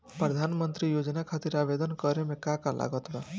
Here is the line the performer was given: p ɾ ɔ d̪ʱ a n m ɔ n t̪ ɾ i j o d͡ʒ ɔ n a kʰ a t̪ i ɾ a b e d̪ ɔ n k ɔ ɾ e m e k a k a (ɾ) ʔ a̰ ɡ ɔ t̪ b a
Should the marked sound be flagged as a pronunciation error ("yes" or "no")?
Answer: yes